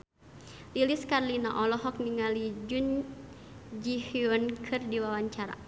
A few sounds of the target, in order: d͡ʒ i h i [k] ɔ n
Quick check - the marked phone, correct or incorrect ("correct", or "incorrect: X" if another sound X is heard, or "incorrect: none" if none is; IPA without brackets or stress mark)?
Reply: incorrect: none